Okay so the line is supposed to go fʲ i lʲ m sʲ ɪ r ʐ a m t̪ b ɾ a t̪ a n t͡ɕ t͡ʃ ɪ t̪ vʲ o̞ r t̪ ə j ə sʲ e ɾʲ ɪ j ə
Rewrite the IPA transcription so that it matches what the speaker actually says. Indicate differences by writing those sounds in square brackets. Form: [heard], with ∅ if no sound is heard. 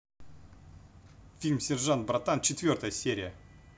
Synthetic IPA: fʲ i lʲ m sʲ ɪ r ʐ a [n] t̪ b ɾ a t̪ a n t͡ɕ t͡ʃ ɪ t̪ vʲ o̞ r t̪ ə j ə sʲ e ɾʲ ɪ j ə

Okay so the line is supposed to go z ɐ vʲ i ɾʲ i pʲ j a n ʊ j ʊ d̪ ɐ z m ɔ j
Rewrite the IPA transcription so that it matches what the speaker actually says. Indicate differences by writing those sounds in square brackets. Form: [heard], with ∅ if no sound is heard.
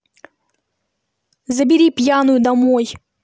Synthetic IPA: z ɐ [bʲ] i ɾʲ i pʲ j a n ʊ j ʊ d̪ ɐ [∅] m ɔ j

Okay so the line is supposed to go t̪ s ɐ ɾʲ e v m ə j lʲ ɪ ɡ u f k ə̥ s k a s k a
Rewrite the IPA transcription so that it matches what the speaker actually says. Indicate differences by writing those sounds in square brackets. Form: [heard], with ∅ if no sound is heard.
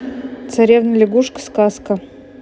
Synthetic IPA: t̪ s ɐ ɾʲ e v [n] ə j lʲ ɪ ɡ u [ʂ] k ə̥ s k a s k [ə]

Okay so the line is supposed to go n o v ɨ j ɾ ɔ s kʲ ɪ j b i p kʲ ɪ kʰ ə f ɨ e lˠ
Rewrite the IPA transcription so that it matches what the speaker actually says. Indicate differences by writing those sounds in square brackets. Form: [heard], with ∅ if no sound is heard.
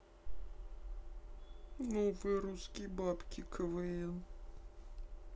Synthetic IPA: n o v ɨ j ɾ [u] s kʲ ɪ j b [a] p kʲ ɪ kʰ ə [v] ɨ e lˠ

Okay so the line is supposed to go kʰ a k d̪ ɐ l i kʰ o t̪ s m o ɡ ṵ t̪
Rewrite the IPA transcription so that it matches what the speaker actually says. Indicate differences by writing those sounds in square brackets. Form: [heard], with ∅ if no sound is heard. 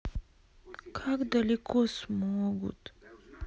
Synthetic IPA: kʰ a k d̪ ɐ l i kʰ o [∅] s m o ɡ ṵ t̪

